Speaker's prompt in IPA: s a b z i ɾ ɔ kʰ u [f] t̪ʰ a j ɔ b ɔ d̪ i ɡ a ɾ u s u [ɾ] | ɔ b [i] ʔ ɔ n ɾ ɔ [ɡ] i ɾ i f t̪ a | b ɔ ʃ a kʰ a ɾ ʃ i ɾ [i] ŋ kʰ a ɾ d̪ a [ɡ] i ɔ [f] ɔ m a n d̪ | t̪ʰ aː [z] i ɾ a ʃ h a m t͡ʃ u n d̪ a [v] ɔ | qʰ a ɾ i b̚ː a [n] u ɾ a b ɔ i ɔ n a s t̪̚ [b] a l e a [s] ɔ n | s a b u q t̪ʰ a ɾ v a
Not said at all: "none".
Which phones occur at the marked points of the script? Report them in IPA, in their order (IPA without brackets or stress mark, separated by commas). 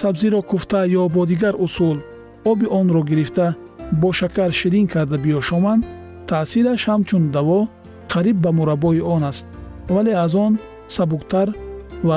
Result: f, l, i, ɡ, i, b, ʃ, s, v, m, v, z